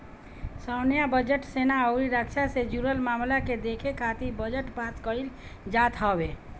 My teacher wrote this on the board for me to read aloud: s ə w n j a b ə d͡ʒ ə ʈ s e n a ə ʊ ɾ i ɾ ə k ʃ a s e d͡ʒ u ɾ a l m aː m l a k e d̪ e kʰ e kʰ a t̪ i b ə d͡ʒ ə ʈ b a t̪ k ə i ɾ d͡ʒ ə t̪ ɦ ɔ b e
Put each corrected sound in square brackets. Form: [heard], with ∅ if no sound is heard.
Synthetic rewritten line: s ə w n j a b ə d͡ʒ ə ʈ s e n a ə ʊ ɾ i ɾ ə k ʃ a s e d͡ʒ u ɾ [ə] l m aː m l a k e d̪ e kʰ e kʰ a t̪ i b ə d͡ʒ ə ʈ b a t̪ k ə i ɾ d͡ʒ [a] t̪ ɦ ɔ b e